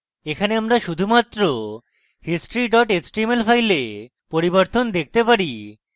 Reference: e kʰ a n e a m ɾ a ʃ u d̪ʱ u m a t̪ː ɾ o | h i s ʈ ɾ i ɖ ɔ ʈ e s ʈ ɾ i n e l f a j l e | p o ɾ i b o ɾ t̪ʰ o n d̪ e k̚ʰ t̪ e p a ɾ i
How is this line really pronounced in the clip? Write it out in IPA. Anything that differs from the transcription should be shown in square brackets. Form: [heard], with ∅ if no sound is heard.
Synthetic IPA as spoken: e kʰ a n e a m ɾ a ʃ u d̪ʱ u m a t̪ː ɾ o | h i s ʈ ɾ i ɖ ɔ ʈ e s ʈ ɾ i [m] e l f a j l e | p o ɾ i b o ɾ [t̪] o n d̪ e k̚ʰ t̪ e p a ɾ i

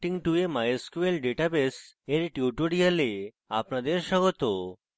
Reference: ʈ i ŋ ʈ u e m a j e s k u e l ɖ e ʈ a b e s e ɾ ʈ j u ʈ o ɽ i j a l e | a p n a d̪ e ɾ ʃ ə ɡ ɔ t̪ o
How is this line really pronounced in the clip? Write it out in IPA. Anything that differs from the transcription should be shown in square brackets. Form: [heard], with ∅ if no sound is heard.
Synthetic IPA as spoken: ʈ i ŋ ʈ u e m a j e s k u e l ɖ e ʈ a b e s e ɾ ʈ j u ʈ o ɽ i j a l e | a p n a d̪ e ɾ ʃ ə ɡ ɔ t̪ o

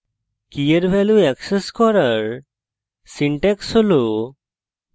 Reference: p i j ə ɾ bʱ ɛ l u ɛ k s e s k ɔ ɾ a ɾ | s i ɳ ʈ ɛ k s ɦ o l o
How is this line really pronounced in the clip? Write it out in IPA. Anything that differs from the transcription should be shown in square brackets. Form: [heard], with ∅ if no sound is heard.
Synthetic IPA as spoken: [k] i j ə ɾ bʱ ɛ l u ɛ k s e s k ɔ ɾ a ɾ | s i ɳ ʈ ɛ k s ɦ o l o

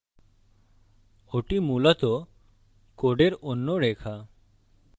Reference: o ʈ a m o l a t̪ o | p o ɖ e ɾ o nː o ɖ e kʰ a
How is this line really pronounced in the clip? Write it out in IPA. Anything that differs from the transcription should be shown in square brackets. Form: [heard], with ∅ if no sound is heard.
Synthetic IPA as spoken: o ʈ [i] m [u] l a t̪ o | [k] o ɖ e ɾ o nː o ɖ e kʰ a

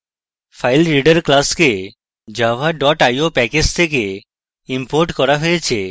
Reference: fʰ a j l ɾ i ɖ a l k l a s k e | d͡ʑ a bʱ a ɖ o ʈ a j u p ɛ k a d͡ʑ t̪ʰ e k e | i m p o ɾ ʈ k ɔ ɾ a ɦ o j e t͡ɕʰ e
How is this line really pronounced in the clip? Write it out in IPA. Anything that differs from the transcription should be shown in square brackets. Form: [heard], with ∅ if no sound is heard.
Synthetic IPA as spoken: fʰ a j l ɾ i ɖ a [ɾ] k l a s k e | d͡ʑ a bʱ a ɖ [ɔ] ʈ a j [o] p ɛ k [e] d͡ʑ t̪ʰ e k e | i m p o ɾ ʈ k ɔ ɾ a ɦ o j e t͡ɕʰ e

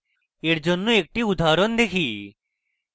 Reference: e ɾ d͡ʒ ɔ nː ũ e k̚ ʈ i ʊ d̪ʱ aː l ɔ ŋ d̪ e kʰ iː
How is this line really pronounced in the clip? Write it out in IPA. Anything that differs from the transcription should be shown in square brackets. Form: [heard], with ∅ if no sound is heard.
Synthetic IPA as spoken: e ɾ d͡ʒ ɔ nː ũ e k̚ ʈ i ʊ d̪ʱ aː [ɾ] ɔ [n] d̪ e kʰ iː

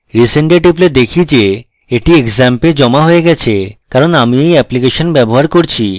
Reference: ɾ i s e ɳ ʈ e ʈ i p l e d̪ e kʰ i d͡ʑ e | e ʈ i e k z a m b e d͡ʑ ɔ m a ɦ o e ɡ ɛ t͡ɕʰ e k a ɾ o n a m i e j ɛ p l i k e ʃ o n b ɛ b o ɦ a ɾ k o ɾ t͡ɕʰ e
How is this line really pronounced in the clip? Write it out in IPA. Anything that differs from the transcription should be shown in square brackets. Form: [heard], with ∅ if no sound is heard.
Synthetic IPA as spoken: ɾ i s e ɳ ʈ e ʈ i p l e d̪ e kʰ i d͡ʑ e | e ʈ i e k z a m [p] e d͡ʑ ɔ m a ɦ o e ɡ ɛ t͡ɕʰ e k a ɾ o n a m i e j ɛ p l i k e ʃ o n b ɛ b o ɦ a ɾ k o ɾ t͡ɕʰ [i]

